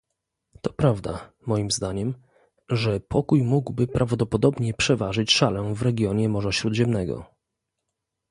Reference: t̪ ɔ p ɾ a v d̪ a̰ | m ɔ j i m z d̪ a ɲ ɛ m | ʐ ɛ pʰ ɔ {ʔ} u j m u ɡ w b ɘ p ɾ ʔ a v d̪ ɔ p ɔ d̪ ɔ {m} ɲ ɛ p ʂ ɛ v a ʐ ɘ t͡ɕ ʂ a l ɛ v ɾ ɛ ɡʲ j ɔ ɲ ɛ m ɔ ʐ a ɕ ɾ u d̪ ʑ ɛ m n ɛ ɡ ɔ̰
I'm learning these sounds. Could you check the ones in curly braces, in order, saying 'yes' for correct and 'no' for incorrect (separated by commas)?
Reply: no, no